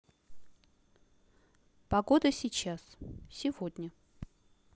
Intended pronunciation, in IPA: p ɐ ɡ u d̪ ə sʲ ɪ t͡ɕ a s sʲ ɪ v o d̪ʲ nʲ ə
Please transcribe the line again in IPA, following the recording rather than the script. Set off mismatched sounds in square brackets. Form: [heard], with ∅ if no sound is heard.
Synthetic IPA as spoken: p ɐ ɡ [o] d̪ ə sʲ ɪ t͡ɕ a s sʲ ɪ v o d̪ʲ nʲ ə